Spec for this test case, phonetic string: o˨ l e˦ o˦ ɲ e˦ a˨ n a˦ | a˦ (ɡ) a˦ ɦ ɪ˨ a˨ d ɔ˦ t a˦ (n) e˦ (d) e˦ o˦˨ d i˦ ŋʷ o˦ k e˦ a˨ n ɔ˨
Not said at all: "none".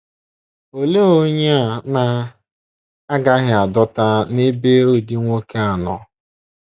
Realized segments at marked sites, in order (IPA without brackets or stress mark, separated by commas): ɡ, n, b